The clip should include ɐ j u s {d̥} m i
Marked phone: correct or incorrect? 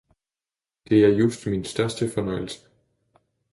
correct